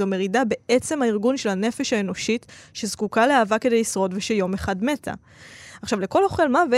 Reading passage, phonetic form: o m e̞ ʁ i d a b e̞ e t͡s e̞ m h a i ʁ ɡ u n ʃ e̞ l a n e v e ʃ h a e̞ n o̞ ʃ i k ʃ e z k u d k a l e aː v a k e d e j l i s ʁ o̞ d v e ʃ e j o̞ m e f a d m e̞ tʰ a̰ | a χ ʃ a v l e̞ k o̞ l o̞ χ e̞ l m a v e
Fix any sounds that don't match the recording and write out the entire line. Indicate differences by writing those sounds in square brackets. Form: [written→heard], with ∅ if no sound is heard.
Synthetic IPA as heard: o m e̞ ʁ i d a b e̞ e t͡s e̞ m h a i ʁ ɡ u n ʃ e̞ l a n e [v→f] e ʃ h a e̞ n o̞ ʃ i [k→t] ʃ e z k u [d→∅] k a l e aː v a k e d e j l i s ʁ o̞ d v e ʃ e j o̞ m e [f→χ] a d m e̞ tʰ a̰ | a χ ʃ a v l e̞ k o̞ l o̞ χ e̞ l m a v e